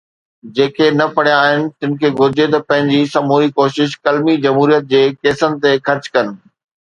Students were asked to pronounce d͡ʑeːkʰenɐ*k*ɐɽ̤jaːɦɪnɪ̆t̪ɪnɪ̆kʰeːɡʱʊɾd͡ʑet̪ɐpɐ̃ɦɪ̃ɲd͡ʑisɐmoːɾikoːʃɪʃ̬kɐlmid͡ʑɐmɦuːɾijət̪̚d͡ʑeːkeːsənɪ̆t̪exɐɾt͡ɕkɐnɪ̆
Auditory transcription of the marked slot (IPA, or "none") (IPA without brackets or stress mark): p